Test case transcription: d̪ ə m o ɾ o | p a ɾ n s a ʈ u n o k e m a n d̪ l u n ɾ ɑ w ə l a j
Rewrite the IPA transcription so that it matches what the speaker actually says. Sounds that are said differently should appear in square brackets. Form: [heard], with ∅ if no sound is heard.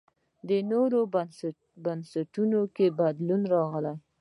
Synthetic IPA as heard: d̪ ə [n] o ɾ o | [b] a [∅] n s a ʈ u n o k e [b] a [∅] d̪ l u n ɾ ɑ [ɣ] ə l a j